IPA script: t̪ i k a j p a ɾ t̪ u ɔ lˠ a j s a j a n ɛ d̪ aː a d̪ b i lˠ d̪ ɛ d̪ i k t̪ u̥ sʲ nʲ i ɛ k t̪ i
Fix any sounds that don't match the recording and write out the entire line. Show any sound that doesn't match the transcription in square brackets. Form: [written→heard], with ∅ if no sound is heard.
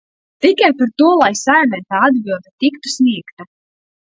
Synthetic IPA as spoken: t̪ i k a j p a ɾ t̪ u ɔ lˠ a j s a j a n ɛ [d̪→t̪] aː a d̪ b i lˠ d̪ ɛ [d̪→t̪] i k t̪ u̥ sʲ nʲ i ɛ k t̪ [i→a]